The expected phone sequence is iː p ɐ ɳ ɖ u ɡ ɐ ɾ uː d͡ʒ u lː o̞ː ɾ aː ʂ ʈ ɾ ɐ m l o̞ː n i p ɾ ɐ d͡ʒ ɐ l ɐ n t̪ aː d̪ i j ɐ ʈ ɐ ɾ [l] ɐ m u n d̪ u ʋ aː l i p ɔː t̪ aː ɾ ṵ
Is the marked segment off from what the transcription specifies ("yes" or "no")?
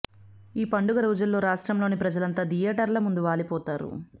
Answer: no